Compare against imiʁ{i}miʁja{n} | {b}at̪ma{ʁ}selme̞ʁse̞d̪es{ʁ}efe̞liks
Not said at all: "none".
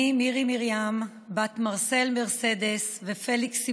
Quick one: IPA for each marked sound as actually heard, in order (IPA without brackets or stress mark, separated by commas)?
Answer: i, m, b, ʁ, v